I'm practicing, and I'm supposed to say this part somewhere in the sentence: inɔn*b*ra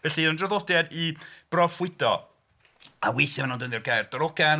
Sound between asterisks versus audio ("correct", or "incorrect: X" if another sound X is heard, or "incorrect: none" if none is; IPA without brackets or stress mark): incorrect: d